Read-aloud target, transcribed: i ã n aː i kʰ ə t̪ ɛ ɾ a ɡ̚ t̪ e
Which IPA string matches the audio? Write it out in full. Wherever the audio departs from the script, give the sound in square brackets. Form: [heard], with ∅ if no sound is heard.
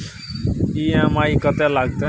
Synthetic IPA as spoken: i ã [m] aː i [k] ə t̪ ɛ [l] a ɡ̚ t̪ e